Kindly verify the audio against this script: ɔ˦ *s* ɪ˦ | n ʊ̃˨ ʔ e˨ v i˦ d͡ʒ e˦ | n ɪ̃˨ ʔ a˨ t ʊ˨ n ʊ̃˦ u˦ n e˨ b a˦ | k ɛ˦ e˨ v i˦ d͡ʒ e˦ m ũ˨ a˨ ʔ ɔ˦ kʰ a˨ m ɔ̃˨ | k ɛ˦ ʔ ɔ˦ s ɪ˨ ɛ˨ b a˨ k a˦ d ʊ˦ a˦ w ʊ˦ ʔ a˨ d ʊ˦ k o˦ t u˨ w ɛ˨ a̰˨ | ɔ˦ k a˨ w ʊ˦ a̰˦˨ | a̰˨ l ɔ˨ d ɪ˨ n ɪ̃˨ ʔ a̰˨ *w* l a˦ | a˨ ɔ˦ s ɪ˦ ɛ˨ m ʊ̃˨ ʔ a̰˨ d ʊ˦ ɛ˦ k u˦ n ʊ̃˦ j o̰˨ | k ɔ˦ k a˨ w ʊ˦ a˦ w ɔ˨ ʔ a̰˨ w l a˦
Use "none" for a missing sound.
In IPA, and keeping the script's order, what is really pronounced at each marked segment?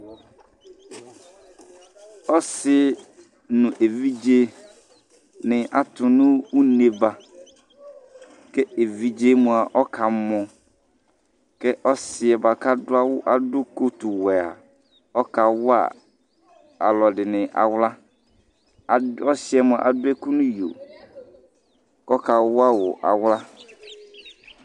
s, w

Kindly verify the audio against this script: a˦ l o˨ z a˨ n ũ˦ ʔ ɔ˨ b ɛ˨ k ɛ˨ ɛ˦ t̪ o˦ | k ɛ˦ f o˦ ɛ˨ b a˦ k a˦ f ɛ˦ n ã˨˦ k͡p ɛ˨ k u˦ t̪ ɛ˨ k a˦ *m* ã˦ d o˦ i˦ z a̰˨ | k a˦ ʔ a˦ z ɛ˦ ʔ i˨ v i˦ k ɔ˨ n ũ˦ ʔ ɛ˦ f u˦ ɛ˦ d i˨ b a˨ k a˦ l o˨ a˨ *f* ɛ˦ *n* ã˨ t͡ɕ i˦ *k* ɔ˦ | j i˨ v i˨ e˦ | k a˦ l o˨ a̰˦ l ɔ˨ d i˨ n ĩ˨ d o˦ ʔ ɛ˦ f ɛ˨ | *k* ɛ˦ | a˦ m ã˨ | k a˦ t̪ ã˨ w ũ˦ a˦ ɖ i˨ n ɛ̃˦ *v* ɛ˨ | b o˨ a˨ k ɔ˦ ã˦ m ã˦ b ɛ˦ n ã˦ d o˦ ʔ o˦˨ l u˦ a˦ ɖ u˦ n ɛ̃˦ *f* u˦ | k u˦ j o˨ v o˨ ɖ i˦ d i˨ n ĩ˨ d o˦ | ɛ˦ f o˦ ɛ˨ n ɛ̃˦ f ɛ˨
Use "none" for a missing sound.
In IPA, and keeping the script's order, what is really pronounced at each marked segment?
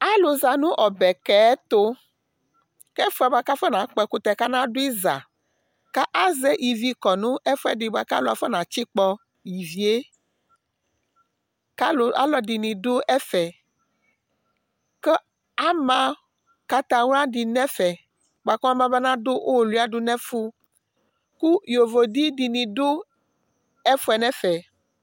n, f, n, k͡p, k, f, f

